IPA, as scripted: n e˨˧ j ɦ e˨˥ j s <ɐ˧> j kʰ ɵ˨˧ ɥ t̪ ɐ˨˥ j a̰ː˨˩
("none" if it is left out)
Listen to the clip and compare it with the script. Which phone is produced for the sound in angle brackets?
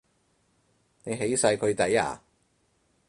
ɐ˧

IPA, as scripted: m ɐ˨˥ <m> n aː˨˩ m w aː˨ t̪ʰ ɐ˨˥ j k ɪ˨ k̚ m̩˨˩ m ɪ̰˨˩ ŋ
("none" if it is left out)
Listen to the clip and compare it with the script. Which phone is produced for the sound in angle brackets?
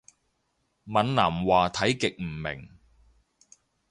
n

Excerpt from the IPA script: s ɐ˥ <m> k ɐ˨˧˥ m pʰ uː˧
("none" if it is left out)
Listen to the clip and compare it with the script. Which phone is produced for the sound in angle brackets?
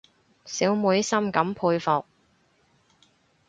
m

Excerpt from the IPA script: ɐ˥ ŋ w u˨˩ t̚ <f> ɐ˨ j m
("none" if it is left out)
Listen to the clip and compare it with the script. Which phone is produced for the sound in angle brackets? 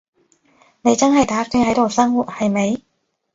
h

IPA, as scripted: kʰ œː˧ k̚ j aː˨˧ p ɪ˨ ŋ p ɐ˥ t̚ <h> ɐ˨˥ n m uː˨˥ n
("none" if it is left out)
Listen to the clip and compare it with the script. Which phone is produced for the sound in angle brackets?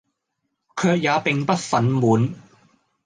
f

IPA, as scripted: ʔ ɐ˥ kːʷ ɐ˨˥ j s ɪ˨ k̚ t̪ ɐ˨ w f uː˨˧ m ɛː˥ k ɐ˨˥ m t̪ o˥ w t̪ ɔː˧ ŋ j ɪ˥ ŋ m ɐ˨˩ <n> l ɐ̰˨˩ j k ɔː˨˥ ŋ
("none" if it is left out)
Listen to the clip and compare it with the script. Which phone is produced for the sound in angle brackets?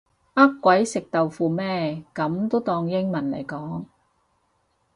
n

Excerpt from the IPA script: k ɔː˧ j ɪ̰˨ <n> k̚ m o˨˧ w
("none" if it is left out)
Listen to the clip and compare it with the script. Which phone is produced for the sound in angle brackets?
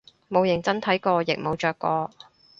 none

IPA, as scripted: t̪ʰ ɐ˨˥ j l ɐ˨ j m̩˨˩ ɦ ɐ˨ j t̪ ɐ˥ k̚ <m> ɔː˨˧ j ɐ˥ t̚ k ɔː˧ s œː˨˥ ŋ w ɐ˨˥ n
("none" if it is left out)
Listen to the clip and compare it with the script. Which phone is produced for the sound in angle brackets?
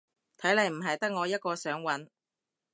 ŋ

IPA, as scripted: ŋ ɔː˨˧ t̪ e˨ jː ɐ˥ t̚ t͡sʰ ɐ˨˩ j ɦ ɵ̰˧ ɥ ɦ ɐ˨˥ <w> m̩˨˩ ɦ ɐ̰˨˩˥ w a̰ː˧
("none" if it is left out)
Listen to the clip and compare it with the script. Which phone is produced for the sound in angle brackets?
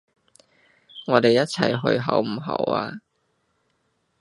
w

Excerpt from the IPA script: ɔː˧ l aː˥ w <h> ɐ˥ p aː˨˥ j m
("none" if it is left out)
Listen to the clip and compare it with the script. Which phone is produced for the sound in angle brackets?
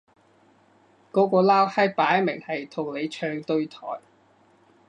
h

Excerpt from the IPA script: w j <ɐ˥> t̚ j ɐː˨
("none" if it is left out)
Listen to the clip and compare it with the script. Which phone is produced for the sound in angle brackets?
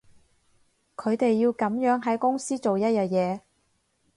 ɐ˥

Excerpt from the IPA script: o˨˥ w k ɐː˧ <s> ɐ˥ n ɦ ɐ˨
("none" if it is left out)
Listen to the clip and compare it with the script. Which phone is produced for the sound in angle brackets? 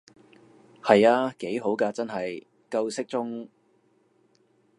t͡s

